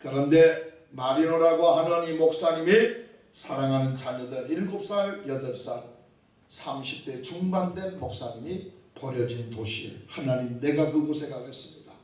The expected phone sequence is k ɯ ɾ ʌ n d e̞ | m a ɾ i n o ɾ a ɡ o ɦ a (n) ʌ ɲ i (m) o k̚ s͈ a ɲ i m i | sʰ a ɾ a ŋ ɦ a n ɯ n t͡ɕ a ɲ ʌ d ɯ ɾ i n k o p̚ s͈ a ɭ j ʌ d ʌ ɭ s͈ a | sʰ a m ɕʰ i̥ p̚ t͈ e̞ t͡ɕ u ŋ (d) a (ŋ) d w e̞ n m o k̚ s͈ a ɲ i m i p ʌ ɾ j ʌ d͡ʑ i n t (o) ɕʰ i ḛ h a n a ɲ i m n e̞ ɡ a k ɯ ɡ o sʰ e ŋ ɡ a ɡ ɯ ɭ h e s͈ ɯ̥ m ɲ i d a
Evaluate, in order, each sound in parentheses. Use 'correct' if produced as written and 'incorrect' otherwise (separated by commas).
correct, correct, incorrect, incorrect, correct